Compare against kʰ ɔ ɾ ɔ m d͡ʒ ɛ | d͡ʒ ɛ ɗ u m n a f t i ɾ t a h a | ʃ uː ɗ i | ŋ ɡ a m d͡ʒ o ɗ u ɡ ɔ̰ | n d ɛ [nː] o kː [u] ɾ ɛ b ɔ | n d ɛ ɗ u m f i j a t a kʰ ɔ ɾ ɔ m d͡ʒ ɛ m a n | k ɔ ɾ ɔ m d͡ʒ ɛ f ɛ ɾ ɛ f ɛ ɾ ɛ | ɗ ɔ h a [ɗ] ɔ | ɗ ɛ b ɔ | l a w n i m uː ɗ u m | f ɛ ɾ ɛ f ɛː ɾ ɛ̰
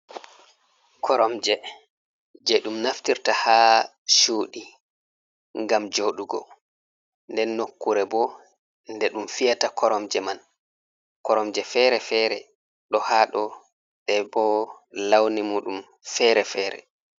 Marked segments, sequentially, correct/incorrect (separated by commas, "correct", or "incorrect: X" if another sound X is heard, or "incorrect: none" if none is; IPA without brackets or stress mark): correct, correct, correct